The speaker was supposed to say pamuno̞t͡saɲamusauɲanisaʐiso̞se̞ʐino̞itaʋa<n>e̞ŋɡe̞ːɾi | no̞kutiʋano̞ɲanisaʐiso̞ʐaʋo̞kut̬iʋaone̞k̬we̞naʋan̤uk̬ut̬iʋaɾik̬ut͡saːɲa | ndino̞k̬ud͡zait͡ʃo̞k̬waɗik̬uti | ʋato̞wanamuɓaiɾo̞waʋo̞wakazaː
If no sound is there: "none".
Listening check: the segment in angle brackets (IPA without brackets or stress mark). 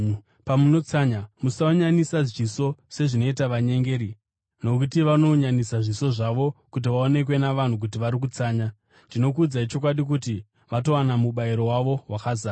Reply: ɲ